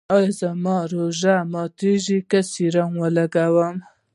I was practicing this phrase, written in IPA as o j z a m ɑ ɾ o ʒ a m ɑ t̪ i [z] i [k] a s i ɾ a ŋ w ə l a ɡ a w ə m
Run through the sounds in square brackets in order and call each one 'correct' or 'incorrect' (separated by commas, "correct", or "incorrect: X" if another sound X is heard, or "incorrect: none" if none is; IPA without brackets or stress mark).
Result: incorrect: ʒ, correct